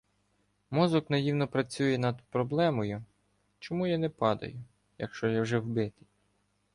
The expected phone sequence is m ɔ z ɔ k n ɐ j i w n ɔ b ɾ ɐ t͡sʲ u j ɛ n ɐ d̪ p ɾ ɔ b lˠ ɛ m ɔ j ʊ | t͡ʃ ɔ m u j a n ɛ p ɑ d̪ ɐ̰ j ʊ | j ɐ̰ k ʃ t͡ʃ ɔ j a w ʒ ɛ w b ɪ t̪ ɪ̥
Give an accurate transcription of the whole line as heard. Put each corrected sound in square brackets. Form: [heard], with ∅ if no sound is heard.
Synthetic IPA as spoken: m ɔ z ɔ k n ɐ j i w n ɔ [p] ɾ ɐ t͡sʲ u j ɛ n ɐ d̪ p ɾ ɔ b lˠ ɛ m ɔ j ʊ | t͡ʃ ɔ m u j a n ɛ p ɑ d̪ ɐ̰ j ʊ | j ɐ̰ k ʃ t͡ʃ ɔ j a w ʒ ɛ w b ɪ t̪ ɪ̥